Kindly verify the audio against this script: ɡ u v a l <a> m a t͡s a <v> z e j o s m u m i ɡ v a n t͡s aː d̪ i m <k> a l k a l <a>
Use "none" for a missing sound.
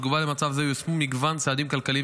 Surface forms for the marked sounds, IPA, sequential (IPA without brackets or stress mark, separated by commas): e, v, k, i